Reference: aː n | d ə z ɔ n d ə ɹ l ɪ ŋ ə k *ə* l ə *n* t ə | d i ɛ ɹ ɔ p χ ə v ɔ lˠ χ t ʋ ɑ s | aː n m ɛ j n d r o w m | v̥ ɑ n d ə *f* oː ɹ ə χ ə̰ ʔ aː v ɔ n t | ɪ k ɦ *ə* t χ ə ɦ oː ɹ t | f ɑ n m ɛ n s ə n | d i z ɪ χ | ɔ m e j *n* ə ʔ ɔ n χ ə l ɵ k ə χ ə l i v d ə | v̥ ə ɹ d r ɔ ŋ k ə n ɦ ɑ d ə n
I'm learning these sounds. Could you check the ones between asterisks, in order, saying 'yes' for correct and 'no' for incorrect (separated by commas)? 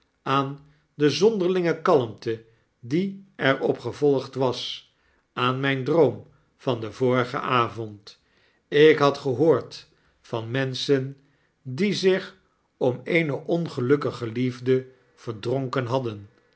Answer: no, no, no, no, yes